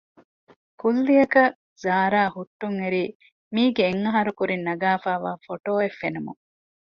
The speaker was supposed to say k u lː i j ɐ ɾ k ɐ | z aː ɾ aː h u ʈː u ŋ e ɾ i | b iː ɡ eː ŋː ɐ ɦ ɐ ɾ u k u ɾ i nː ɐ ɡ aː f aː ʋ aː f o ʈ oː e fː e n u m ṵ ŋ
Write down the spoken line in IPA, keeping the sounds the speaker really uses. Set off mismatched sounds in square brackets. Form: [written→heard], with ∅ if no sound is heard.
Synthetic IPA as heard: k u lː i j ɐ [ɾ→∅] k ɐ | z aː ɾ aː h u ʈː u ŋ e ɾ [i→iː] | [b→m] iː ɡ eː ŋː ɐ ɦ ɐ ɾ u k u ɾ i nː ɐ ɡ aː f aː ʋ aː f o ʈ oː e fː e n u m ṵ ŋ

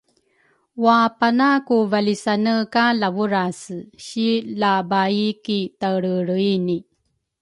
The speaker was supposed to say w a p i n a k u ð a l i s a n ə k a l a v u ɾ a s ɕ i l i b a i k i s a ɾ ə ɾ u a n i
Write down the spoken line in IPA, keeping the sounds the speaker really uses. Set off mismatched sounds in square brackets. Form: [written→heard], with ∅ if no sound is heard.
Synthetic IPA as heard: w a p [i→a] n a k u [ð→v] a l i s a n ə k a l a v u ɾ a s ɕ i l [i→a] b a i k i [s→t] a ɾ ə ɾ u [a→i] n i

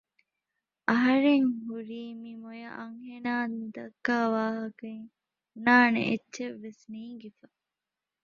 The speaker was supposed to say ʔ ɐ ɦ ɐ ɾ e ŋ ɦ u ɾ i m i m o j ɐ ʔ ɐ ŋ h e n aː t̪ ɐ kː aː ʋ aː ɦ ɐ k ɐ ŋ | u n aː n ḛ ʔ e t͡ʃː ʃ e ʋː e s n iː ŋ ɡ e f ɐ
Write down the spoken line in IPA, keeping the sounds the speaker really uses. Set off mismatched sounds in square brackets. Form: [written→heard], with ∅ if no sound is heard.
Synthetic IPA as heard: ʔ ɐ ɦ ɐ ɾ e ŋ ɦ u ɾ [i→iː] m i m o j ɐ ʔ ɐ ŋ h e n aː [t̪→d̪] ɐ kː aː ʋ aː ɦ ɐ k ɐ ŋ | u n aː n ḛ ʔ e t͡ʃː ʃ e ʋː e s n iː ŋ ɡ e f ɐ

